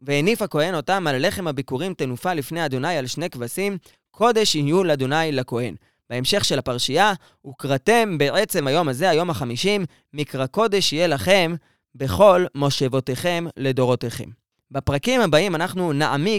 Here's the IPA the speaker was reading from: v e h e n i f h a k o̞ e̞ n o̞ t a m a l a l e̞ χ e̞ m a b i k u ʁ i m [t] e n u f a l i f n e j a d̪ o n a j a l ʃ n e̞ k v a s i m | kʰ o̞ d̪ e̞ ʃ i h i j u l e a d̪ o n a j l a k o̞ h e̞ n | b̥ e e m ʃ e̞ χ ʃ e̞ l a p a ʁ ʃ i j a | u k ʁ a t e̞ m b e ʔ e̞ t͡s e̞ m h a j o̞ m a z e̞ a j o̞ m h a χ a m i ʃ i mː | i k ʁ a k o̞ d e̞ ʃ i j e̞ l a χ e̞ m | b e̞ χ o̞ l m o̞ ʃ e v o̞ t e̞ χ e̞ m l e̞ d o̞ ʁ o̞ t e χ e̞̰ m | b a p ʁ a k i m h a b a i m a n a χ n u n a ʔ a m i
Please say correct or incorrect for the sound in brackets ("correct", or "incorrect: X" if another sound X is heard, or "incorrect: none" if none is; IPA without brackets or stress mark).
correct